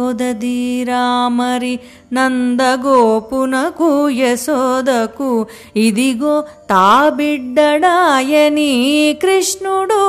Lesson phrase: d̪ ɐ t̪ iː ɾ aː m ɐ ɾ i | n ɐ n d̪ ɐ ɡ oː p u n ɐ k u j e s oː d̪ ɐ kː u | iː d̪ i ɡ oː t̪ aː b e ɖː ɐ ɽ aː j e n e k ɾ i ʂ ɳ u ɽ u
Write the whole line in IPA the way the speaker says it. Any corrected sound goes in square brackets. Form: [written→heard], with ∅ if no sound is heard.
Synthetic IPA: d̪ ɐ [t̪→d̪] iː ɾ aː m ɐ ɾ i | n ɐ n d̪ ɐ ɡ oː p u n ɐ k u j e s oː d̪ ɐ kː u | [iː→i] d̪ i ɡ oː t̪ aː b [e→i] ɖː ɐ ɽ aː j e n [e→i] k ɾ i ʂ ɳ u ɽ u